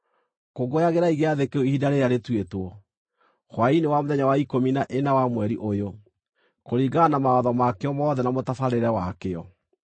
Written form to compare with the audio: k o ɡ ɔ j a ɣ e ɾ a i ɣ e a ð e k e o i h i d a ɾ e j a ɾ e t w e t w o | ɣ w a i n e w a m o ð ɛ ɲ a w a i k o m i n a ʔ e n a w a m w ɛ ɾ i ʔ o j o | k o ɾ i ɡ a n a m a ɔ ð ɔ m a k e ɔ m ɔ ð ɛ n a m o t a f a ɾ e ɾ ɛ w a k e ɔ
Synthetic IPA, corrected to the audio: k o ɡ o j a ɣ e ɾ a i ɣ e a ð e k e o i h i d a ɾ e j a ɾ e t w e t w ɔ | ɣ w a i n e w a m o ð ɛ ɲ a w a i k o m i n a ʔ e n a w a m w ɛ ɾ i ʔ o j o | k o ɾ i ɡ a n a m a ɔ ð ɔ m a k e ɔ m ɔ ð ɛ n a m o t a f a ɾ e ɾ ɛ w a k e ɔ